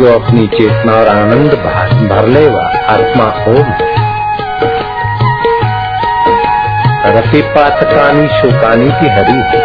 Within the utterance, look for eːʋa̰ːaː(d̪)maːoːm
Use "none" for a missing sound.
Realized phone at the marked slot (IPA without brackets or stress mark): t̪